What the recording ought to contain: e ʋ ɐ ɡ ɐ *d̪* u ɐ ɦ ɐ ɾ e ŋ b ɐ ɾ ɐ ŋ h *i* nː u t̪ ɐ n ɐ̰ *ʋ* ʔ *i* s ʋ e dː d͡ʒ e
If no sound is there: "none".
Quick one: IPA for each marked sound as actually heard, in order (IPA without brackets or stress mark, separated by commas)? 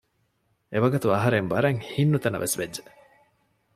t̪, i, ʋ, e